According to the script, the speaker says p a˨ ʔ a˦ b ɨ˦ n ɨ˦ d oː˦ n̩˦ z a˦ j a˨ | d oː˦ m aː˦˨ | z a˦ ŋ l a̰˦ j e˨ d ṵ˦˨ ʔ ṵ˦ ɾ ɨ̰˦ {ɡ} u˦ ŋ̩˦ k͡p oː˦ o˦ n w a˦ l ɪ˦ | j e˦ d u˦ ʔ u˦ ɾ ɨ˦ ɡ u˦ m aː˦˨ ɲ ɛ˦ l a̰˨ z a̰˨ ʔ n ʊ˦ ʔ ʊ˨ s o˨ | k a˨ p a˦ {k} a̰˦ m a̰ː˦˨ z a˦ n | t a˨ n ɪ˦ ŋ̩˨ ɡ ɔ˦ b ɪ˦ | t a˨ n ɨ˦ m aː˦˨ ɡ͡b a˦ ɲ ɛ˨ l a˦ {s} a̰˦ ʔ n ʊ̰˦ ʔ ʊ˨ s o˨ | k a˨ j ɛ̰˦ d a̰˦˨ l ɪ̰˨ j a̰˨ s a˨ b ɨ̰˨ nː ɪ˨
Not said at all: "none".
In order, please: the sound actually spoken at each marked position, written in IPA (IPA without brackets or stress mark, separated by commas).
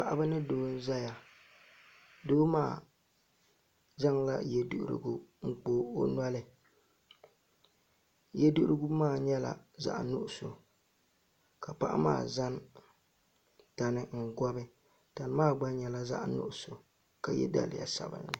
ɡ, ʔ, z